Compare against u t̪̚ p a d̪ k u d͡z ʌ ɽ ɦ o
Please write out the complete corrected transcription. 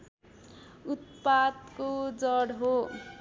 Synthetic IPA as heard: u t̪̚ p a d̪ k o d͡z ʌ ɽ ɦ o